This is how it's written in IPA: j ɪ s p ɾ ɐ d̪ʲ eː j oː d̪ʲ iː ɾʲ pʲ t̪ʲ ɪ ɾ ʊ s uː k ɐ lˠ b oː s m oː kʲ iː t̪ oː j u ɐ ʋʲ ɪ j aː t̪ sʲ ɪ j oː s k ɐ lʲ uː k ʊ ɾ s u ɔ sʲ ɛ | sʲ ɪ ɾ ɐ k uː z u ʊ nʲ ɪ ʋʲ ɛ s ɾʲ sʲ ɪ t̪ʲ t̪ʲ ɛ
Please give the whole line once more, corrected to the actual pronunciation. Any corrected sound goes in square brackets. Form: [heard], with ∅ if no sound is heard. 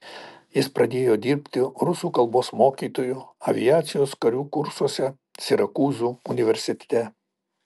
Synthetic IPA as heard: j ɪ s p ɾ ɐ d̪ʲ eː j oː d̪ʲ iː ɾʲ pʲ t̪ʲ ɪ ɾ ʊ s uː k ɐ lˠ b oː s m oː kʲ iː t̪ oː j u ɐ ʋʲ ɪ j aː t̪ sʲ ɪ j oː s k ɐ [ɾʲ] uː k ʊ ɾ s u ɔ sʲ ɛ | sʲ ɪ ɾ ɐ k uː z u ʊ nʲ ɪ ʋʲ ɛ [∅] ɾʲ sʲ ɪ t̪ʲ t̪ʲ ɛ